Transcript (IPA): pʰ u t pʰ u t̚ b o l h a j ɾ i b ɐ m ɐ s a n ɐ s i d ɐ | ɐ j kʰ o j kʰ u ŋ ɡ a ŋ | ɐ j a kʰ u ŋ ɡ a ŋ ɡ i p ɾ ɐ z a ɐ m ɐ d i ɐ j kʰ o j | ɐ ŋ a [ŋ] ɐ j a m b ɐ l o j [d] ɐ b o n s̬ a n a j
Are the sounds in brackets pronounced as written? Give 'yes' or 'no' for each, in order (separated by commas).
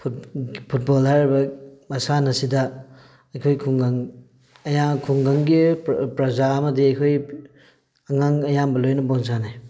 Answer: yes, no